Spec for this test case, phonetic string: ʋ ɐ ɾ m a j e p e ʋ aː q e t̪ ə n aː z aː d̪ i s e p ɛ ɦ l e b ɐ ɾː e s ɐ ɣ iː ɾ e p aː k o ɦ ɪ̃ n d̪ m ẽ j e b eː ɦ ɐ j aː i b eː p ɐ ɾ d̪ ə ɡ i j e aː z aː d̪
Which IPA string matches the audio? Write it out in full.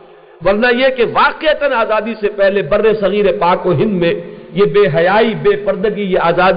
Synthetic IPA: ʋ ɐ ɾ n a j e k e ʋ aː q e t̪ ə n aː z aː d̪ i s e p ɛ ɦ l e b ɐ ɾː e s ɐ ɣ iː ɾ e p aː k o ɦ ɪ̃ n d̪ m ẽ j e b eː ɦ ɐ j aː i b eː p ɐ ɾ d̪ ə ɡ i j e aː z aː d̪